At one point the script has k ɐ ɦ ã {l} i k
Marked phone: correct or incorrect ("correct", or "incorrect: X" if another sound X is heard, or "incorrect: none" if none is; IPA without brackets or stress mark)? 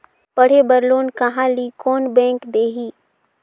correct